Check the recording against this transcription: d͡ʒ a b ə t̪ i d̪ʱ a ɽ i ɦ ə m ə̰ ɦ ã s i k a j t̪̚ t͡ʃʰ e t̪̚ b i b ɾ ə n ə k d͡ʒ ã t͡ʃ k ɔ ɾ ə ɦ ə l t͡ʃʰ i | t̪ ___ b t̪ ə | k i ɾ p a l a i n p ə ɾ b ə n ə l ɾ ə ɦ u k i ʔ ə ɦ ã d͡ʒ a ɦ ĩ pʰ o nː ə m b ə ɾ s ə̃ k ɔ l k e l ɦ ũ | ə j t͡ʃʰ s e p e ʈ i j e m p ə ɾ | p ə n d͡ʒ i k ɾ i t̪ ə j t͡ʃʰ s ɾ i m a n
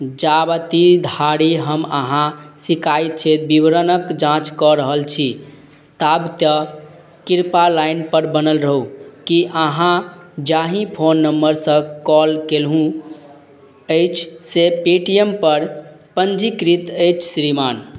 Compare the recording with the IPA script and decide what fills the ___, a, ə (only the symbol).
a